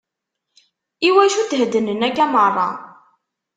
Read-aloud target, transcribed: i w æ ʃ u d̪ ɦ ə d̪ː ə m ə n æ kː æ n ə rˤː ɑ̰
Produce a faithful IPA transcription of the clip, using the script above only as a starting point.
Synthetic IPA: i w æ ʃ u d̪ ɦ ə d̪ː ə n ə n æ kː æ m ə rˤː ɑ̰